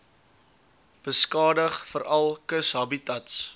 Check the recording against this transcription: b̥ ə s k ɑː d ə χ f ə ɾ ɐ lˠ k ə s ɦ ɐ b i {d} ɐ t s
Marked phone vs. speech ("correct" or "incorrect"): incorrect